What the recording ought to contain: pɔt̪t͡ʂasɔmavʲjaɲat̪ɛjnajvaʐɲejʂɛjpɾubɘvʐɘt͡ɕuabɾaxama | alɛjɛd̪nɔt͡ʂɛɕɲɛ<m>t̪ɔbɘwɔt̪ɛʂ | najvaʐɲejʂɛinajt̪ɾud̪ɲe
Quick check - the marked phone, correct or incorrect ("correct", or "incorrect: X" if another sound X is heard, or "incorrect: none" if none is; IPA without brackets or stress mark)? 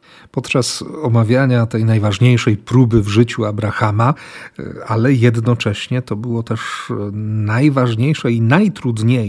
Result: incorrect: none